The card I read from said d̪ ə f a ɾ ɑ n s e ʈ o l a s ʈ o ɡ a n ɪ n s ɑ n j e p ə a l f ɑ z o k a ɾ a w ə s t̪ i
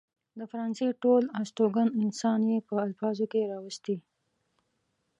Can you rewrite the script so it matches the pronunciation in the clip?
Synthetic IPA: d̪ ə f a ɾ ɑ n s e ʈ o l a s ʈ o ɡ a n ɪ n s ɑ n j e p ə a l f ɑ z o k e ɾ ɑ w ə s t̪ i